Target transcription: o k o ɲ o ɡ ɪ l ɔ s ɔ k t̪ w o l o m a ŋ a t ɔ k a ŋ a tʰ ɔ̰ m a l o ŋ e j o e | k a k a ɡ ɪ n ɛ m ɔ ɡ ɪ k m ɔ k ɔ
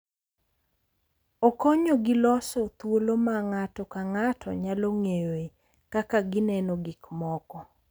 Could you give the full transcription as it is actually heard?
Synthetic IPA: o k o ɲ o ɡ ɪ l ɔ s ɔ t̪ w o l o m a ŋ a t ɔ k a ŋ a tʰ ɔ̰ ɲ a l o ŋ e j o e | k a k a ɡ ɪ n ɛ n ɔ ɡ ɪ k m ɔ k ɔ